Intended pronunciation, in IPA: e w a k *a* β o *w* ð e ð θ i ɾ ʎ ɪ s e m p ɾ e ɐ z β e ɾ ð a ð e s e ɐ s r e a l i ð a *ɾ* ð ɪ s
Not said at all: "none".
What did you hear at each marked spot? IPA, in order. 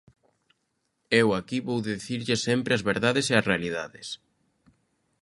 i, w, none

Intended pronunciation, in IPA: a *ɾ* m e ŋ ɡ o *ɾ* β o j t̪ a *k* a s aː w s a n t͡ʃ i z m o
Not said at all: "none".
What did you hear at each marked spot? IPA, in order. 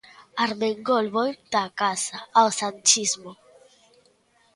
ɾ, l, k

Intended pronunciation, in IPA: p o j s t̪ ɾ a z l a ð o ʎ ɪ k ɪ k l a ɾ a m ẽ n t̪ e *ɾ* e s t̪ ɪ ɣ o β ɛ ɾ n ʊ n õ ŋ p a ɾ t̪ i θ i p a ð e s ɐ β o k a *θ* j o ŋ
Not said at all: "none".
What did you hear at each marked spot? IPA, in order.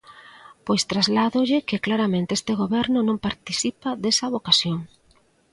none, s

